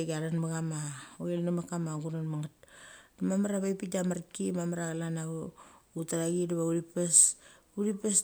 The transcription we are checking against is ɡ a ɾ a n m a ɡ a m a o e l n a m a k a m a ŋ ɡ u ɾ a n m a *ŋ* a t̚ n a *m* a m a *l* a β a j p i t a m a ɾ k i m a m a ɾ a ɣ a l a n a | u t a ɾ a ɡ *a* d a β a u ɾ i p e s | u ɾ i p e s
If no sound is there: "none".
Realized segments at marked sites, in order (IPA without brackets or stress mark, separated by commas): ŋ, m, ɾ, i